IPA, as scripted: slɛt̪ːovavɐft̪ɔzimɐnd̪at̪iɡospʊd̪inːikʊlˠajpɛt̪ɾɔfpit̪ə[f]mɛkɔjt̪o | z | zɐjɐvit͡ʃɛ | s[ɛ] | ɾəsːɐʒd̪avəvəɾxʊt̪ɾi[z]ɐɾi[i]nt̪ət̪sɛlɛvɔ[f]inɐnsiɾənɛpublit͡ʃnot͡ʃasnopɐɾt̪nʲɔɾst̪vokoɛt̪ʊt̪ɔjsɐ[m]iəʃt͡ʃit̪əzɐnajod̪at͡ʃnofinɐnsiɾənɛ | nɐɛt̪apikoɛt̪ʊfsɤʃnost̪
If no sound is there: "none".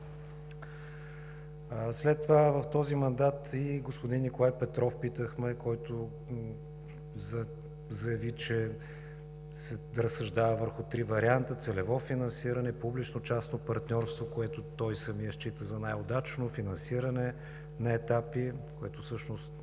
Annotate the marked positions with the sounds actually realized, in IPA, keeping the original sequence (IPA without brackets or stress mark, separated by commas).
x, ɛ, v, a, f, m